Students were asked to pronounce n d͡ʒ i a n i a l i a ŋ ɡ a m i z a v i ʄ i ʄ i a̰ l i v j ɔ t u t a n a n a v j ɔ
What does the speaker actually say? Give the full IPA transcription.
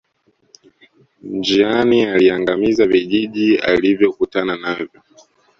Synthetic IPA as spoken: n d͡ʒ i a n i a l i a ŋ ɡ a m i z a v i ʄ i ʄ i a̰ l i v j ɔ k u t a n a n a v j ɔ